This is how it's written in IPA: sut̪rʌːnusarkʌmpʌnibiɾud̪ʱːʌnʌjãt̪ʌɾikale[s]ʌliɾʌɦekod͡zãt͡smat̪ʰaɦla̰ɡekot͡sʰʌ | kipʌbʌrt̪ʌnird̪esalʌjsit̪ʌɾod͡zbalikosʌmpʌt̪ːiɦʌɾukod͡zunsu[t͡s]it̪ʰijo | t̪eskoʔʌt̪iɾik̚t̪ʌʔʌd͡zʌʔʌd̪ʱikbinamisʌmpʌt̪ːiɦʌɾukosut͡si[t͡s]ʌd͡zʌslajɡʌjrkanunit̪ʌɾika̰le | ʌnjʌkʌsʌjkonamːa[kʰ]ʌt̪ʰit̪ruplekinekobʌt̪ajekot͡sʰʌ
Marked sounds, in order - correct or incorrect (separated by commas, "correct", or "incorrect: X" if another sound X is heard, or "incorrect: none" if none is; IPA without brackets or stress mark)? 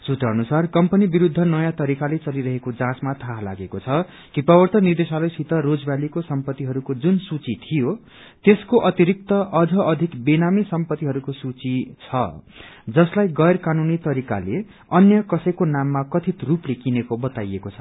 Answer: incorrect: t͡s, correct, incorrect: t͡sʰ, incorrect: k